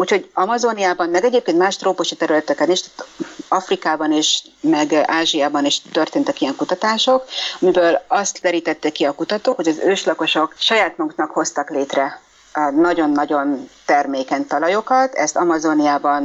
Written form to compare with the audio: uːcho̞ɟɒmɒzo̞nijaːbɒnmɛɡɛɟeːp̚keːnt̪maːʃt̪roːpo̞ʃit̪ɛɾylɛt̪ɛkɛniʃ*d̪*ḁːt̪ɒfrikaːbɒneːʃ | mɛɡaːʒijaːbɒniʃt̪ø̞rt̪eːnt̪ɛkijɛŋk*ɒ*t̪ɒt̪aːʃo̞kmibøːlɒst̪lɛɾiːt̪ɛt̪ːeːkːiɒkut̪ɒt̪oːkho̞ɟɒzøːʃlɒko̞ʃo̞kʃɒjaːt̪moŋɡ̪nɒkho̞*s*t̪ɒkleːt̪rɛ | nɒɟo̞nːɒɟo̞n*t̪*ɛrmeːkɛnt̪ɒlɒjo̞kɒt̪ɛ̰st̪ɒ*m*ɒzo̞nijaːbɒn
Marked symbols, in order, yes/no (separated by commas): no, no, yes, yes, yes